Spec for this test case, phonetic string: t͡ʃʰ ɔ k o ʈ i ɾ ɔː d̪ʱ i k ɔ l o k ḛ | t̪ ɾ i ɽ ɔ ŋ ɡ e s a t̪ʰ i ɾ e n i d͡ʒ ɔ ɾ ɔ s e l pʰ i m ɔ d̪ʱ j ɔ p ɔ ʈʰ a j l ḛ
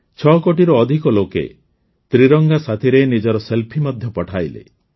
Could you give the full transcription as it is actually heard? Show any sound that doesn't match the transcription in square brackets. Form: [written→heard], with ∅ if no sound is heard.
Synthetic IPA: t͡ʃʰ ɔ k o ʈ i ɾ ɔː d̪ʱ i k ɔ l o k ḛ | t̪ ɾ i [ɽ→ɾ] ɔ ŋ ɡ [e→a] s a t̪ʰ i ɾ e n i d͡ʒ ɔ ɾ ɔ s e l pʰ i m ɔ d̪ʱ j ɔ p ɔ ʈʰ a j l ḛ